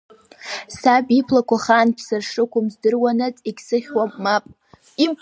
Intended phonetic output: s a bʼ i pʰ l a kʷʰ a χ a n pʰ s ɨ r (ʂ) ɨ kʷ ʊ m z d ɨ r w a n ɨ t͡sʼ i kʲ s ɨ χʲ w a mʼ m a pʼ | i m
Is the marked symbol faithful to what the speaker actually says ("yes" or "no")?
yes